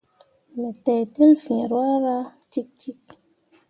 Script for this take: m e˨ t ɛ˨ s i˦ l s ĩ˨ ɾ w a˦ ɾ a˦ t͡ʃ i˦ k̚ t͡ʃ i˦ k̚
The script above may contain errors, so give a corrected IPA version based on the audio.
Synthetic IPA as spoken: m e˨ t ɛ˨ t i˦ l f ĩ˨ ɾ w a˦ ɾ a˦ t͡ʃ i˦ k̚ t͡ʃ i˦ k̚